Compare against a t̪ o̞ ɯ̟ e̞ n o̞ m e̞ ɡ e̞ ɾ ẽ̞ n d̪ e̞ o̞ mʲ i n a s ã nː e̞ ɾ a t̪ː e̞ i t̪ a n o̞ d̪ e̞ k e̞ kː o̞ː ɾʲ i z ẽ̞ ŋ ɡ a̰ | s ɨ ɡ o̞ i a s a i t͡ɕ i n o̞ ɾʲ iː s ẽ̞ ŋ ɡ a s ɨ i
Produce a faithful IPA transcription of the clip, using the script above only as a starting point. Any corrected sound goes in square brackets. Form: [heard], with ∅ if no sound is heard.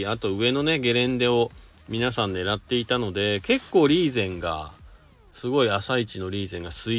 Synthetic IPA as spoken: a t̪ o̞ ɯ̟ e̞ n o̞ [n] e̞ ɡ e̞ ɾ ẽ̞ n d̪ e̞ o̞ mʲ i n a s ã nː e̞ ɾ a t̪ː e̞ i t̪ a n o̞ d̪ e̞ k e̞ kː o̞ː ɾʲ [iː] z ẽ̞ ŋ ɡ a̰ | s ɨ ɡ o̞ i a s a i t͡ɕ i n o̞ ɾʲ iː [z] ẽ̞ ŋ ɡ a s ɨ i